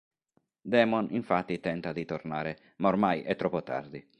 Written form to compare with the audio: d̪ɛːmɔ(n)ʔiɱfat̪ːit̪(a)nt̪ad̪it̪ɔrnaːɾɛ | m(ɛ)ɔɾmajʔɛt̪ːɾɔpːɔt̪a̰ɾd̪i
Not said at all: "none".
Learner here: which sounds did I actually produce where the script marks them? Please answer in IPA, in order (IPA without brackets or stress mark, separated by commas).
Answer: n, ɛ, a